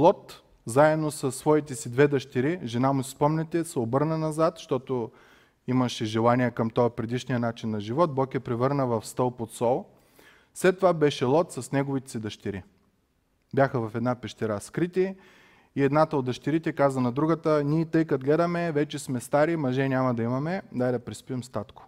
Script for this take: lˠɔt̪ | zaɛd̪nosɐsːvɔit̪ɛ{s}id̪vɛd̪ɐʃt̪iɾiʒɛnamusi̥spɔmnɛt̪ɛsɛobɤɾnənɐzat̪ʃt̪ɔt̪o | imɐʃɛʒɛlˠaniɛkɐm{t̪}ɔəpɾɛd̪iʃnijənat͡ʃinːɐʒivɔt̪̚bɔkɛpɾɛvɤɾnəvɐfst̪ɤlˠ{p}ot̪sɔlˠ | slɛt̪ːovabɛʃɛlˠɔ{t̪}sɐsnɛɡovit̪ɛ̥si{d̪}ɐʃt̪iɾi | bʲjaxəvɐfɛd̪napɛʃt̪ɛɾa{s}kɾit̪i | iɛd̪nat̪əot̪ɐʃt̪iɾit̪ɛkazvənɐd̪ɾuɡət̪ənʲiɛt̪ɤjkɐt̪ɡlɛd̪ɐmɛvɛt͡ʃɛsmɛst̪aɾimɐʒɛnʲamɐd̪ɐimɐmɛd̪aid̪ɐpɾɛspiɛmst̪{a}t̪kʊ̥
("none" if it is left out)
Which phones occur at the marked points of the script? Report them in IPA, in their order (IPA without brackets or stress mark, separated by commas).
s, t̪, p, t̪, d̪, s, a